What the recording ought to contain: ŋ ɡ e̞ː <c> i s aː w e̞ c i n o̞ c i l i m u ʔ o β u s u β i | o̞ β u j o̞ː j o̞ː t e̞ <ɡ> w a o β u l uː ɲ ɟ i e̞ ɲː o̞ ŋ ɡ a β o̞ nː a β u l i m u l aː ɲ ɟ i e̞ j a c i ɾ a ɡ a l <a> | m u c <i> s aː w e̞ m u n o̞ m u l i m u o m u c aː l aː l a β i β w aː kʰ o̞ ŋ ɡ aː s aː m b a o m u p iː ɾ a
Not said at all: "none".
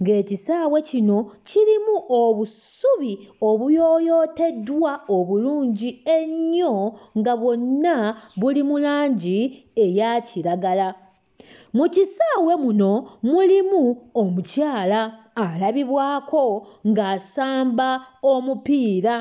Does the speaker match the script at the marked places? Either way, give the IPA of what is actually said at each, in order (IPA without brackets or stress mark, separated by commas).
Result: c, d, a, i